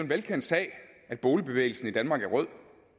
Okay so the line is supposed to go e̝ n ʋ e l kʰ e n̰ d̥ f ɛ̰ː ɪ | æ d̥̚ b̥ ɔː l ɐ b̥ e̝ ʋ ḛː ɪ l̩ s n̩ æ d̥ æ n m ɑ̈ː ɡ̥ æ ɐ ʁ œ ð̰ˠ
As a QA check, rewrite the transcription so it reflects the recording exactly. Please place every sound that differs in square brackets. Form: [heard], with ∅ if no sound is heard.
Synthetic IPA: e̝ n ʋ e l kʰ e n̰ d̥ [s] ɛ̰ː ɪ | æ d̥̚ b̥ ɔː l [ə] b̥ e̝ ʋ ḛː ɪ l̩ s n̩ [i] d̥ æ n m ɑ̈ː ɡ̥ æ ɐ ʁ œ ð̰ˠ